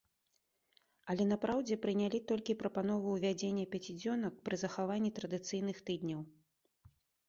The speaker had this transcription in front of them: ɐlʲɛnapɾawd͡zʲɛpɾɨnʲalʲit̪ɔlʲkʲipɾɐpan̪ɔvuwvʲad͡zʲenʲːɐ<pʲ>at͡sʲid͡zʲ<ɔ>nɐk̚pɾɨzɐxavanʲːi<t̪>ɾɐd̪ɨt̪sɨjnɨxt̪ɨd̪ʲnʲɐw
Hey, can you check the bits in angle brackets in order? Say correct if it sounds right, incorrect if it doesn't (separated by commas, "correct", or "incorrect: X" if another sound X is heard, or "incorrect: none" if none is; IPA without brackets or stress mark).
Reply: correct, correct, correct